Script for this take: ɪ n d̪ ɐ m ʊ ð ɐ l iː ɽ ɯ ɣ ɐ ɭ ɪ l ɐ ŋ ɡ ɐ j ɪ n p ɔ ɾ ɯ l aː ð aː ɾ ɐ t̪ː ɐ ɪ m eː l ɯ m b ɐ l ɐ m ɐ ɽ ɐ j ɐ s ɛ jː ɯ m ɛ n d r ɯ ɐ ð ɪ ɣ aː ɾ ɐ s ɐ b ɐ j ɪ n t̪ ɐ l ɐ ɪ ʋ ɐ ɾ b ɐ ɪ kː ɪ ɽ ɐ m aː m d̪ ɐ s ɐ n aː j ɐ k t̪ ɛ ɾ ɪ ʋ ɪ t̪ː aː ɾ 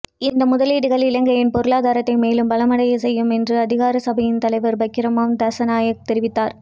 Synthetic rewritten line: ɪ n d̪ ɐ m ʊ ð ɐ l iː ɽ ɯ ɣ ɐ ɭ ɪ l ɐ ŋ ɡ ɐ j ɪ n p ɔ ɾ ɯ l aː ð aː ɾ ɐ t̪ː ɐ ɪ m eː l ɯ m b ɐ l ɐ m ɐ ɽ ɐ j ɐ s ɛ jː ɯ m ɛ n d r ɯ ɐ ð ɪ ɣ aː ɾ ɐ s ɐ b ɐ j ɪ n t̪ ɐ l ɐ ɪ ʋ ɐ ɾ b ɐ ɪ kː ɪ ɾ ɐ m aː m d̪ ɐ s ɐ n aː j ɐ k t̪ ɛ ɾ ɪ ʋ ɪ t̪ː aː ɾ